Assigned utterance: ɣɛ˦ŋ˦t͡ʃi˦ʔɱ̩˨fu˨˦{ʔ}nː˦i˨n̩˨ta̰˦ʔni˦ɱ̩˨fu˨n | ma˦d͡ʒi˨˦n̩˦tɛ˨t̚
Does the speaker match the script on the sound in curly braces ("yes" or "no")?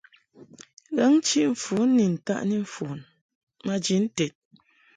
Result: no